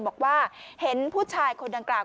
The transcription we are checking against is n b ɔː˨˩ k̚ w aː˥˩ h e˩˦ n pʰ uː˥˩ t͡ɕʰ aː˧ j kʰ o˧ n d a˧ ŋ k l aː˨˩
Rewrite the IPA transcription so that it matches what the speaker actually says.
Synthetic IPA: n b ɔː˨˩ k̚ w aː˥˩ h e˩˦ n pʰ uː˥˩ t͡ɕʰ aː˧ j kʰ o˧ n d a˧ ŋ k l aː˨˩